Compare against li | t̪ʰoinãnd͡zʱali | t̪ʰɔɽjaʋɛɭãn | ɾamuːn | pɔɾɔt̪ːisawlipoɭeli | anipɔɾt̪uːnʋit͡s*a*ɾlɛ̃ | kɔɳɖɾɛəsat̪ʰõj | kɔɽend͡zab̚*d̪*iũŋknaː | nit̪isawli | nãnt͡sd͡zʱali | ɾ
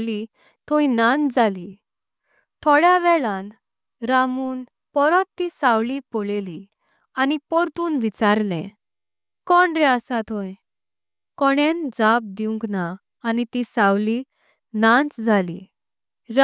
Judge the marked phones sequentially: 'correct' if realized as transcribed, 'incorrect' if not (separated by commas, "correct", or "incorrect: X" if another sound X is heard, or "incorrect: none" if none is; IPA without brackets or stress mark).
correct, correct